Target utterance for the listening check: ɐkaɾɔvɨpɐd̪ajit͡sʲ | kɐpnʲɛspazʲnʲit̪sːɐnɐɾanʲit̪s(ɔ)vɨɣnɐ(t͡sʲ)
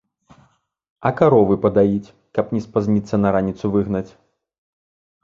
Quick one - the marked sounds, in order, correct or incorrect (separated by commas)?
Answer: incorrect, correct